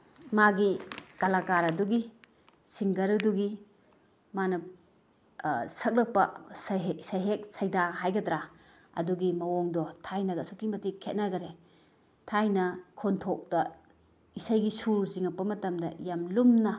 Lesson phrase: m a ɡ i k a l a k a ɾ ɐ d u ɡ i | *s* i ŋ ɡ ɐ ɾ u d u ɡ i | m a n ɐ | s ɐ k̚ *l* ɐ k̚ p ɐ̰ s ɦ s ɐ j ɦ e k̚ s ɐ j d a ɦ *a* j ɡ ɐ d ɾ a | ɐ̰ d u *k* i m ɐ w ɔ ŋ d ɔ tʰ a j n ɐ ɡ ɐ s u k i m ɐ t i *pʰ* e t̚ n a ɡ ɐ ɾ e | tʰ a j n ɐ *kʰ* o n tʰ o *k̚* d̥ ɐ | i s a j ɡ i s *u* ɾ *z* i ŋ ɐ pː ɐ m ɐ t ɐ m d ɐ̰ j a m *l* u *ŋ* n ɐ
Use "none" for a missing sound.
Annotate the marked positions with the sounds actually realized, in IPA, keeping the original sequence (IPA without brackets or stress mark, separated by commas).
s, l, a, ɡ, kʰ, kʰ, k̚, u, z, l, m